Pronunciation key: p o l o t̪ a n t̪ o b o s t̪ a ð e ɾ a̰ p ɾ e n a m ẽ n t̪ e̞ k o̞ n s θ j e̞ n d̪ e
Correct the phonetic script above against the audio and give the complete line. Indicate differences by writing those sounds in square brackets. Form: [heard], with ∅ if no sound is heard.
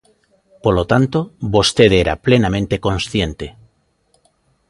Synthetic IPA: p o l o t̪ a n t̪ o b o s t̪ [e] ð e ɾ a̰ p [l] e n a m ẽ n t̪ e̞ k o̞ n s θ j e̞ n [t̪] e